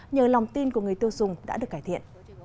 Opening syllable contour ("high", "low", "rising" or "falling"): low